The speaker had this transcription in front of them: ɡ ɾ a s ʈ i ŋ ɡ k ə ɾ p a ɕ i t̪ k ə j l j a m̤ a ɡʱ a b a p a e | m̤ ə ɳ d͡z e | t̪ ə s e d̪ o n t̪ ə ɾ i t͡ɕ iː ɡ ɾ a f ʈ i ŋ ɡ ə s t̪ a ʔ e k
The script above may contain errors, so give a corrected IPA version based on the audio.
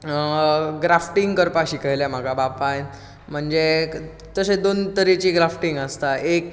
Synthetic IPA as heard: ɡ ɾ a f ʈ i ŋ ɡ k ə ɾ p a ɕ i k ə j l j a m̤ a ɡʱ a b a p a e | m̤ ə ɳ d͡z e | t̪ ə s e d̪ o n t̪ ə ɾ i t͡ɕ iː ɡ ɾ a f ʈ i ŋ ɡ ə s t̪ a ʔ e k